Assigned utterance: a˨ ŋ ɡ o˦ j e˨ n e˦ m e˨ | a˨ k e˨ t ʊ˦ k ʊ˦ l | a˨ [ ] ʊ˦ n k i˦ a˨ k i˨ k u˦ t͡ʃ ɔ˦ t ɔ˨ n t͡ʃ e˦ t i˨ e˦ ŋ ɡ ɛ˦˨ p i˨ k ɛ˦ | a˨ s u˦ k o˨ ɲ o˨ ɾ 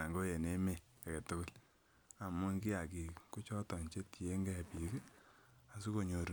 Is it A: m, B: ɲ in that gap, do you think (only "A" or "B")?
A